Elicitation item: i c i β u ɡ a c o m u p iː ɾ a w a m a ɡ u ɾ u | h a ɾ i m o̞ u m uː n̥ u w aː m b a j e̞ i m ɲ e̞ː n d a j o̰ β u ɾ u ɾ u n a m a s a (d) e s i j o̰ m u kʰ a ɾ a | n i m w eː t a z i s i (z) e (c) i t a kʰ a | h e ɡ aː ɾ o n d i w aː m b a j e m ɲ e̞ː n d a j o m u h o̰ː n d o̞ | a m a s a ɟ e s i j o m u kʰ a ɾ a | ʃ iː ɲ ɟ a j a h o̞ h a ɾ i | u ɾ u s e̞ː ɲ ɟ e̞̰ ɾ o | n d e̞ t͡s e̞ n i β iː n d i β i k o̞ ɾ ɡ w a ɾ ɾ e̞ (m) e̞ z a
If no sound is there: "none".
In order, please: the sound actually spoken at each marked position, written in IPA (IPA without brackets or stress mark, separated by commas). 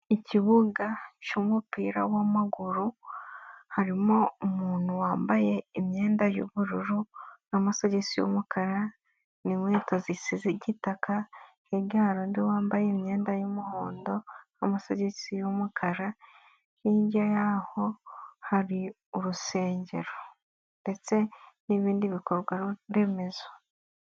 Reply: ɟ, z, ɟ, m